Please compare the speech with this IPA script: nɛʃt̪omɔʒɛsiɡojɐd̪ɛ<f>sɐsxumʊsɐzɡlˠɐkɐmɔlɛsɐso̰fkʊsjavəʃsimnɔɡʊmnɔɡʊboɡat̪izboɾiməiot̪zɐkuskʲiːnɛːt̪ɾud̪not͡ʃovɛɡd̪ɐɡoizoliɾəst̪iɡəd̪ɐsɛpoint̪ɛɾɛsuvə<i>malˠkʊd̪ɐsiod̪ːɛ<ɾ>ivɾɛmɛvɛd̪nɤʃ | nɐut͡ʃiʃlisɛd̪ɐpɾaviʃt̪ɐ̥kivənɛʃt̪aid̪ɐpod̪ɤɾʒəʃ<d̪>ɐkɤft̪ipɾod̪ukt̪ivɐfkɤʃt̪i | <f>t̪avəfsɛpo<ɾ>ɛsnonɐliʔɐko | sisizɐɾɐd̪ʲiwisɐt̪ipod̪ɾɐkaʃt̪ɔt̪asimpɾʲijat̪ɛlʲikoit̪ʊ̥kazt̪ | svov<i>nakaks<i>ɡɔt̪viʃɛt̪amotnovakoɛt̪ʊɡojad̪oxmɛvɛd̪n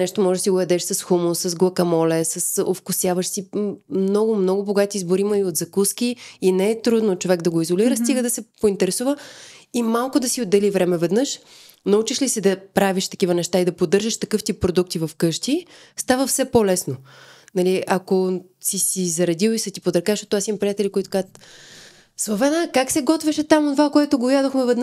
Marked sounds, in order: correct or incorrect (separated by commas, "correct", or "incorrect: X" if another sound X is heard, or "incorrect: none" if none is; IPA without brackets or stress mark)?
incorrect: ʃ, correct, incorrect: l, incorrect: t̪, incorrect: s, incorrect: l, incorrect: ɛ, incorrect: ɛ